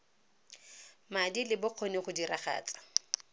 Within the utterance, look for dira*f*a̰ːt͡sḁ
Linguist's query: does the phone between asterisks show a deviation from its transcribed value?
yes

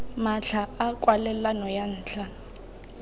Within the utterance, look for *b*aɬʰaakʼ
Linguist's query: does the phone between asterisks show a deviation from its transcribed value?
yes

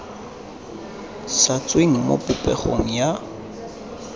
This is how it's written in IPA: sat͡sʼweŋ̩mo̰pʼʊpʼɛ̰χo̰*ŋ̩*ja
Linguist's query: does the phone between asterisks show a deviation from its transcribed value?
no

